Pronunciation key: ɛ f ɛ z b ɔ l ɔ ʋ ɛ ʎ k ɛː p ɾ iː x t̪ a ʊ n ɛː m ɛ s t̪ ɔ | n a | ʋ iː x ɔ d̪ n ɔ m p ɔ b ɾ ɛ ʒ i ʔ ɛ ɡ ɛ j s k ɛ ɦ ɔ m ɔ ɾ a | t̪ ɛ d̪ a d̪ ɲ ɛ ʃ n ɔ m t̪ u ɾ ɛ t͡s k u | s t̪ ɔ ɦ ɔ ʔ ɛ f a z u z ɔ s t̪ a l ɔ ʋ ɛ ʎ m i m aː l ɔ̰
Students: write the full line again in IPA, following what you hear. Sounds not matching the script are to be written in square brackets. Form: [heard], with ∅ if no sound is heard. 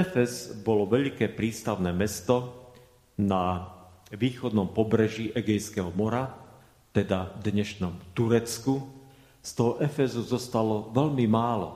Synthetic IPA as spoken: ɛ f ɛ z b ɔ l ɔ ʋ ɛ ʎ k ɛː p ɾ iː [s] t̪ a ʊ n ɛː m ɛ s t̪ ɔ | n a | ʋ iː x ɔ d̪ n ɔ m p ɔ b ɾ ɛ ʒ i ʔ ɛ ɡ ɛ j s k ɛ ɦ ɔ m ɔ ɾ a | t̪ ɛ d̪ a d̪ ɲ ɛ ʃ n ɔ m t̪ u ɾ ɛ t͡s k u | s t̪ ɔ ɦ ɔ ʔ ɛ f [ɛ] z u z ɔ s t̪ a l ɔ ʋ ɛ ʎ m i m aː l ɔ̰